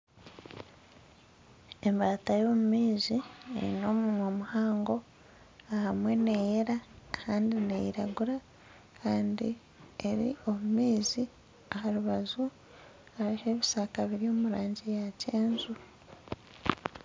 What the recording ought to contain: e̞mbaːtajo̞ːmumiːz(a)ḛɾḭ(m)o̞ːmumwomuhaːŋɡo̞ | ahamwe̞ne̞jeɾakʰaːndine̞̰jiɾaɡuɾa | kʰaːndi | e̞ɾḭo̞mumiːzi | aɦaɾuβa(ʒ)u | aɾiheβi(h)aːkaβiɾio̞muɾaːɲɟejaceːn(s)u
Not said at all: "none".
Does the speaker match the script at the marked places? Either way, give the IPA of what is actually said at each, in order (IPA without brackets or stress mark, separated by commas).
i, n, z, s, z